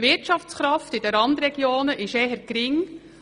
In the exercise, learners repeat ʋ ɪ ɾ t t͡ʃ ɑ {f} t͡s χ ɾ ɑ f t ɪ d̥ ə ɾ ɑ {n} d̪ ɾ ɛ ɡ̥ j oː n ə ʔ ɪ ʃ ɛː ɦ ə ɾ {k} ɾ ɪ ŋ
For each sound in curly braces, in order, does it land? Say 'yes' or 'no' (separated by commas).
yes, yes, yes